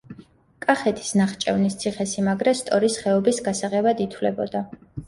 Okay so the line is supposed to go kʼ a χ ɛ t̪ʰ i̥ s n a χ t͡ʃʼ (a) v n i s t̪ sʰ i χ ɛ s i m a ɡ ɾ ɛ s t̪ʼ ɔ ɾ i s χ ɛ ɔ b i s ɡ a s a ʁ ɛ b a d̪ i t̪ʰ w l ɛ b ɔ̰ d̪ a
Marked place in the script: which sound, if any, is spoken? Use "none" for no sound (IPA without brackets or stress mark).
ɛ